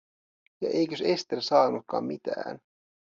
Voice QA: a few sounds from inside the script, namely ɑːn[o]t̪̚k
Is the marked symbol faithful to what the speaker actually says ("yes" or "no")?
no